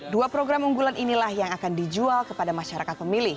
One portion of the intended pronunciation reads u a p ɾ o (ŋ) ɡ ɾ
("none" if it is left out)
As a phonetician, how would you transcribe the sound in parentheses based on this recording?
none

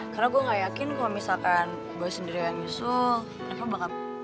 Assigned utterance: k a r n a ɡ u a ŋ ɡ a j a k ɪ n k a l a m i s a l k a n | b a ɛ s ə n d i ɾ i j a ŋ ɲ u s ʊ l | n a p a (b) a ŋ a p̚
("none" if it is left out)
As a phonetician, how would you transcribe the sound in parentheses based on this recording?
b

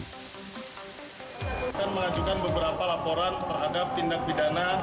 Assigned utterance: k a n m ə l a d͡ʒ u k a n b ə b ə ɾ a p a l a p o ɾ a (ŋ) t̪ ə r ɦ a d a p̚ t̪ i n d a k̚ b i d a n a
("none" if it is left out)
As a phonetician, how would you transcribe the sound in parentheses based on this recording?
n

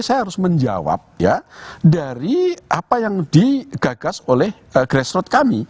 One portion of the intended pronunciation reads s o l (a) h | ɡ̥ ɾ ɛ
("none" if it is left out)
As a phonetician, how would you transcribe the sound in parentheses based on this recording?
ɛ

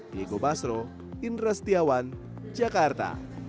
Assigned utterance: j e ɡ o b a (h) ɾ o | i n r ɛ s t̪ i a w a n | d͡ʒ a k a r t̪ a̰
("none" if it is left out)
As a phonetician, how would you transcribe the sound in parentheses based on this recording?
s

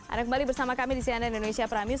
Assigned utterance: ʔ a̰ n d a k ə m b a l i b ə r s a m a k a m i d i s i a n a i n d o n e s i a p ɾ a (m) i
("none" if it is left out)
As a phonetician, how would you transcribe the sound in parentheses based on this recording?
m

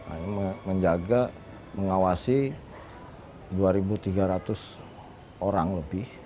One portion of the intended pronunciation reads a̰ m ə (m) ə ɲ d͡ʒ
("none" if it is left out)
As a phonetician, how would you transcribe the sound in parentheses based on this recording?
m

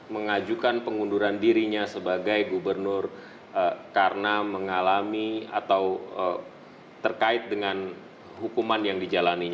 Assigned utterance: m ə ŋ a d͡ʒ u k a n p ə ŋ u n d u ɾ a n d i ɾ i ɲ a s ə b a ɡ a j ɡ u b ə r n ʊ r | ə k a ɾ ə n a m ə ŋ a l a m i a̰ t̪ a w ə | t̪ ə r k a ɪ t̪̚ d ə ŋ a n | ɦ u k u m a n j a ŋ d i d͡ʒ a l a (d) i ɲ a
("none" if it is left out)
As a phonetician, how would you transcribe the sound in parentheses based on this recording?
n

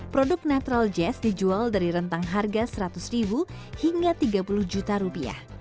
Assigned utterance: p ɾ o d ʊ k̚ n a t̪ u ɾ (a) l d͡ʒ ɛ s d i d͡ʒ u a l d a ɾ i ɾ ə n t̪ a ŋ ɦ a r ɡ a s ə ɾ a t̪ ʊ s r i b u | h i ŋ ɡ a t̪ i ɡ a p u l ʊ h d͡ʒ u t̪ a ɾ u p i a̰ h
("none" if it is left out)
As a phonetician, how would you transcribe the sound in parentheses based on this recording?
a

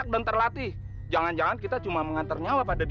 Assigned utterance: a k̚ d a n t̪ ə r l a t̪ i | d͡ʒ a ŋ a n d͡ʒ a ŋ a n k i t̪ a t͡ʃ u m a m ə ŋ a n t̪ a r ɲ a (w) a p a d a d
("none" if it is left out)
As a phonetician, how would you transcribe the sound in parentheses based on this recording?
w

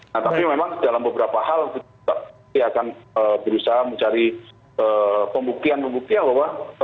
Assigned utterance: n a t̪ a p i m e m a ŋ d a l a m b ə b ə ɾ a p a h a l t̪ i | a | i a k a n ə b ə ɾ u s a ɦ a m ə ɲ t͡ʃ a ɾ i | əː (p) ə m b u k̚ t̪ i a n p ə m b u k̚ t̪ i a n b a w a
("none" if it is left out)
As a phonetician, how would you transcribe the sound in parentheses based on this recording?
p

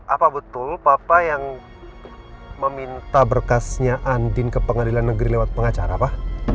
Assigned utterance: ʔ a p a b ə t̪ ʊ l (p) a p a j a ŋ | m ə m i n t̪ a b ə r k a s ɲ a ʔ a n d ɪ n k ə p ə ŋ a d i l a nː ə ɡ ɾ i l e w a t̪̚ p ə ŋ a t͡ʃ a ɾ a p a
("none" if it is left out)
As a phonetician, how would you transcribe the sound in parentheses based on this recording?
p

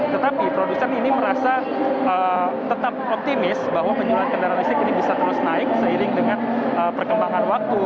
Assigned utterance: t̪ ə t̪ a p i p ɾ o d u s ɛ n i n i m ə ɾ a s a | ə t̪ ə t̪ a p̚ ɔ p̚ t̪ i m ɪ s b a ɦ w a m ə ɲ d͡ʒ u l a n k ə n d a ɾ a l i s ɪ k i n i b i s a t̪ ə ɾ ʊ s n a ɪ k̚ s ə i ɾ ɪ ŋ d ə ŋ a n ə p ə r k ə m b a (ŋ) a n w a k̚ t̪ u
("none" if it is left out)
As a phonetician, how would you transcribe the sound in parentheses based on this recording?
ŋ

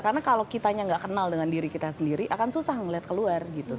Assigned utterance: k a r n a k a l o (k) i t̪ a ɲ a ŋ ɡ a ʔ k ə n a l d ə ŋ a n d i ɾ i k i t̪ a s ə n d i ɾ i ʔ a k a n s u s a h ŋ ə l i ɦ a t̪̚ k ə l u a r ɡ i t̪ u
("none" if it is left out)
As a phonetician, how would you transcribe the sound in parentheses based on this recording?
k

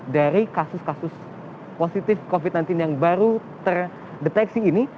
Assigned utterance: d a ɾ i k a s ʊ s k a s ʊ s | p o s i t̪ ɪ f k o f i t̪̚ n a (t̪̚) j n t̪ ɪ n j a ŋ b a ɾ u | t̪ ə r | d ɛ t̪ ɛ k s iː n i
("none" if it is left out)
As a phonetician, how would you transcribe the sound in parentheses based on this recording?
none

